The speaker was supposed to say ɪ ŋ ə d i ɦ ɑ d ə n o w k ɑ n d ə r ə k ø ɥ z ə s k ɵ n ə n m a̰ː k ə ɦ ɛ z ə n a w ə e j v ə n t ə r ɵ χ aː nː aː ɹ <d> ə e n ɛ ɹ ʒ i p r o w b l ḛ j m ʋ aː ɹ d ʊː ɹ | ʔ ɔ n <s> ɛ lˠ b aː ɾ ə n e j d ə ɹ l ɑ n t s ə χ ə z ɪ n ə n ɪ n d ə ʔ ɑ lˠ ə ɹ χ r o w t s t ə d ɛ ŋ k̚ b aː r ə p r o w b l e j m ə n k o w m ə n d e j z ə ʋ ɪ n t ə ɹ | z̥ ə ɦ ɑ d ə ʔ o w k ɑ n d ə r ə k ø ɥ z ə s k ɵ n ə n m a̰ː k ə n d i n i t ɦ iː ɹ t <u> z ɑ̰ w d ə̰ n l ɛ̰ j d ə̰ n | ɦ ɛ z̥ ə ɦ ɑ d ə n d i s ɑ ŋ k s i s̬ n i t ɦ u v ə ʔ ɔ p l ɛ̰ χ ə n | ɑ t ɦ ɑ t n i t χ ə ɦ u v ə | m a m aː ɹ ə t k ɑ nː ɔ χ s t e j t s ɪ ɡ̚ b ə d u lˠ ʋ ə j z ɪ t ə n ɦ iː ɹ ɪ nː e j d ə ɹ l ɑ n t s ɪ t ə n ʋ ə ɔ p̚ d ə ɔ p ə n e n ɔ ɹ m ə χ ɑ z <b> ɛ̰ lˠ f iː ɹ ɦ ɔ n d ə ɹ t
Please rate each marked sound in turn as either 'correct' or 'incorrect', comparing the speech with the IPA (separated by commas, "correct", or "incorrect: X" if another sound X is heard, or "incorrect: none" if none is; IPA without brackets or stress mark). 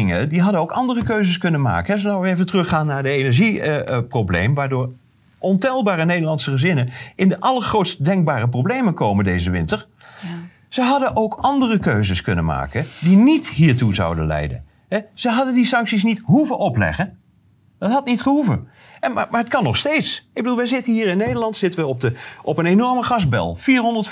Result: correct, incorrect: t, correct, correct